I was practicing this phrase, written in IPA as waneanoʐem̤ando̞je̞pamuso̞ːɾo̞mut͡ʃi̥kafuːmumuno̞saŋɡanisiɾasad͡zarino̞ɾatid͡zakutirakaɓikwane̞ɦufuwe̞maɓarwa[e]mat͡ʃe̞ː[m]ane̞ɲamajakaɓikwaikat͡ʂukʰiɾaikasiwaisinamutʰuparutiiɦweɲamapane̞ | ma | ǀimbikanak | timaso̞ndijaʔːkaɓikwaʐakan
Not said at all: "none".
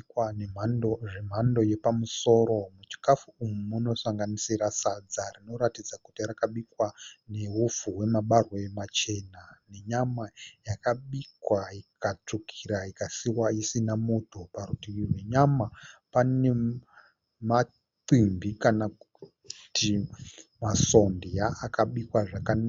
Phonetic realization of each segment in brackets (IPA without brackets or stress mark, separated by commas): e, n